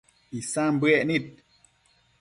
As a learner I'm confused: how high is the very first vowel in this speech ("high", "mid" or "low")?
high